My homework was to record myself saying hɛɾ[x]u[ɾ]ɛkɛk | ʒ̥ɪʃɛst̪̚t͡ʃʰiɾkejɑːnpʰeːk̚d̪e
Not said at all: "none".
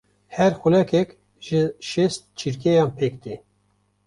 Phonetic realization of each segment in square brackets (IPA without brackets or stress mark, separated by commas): x, l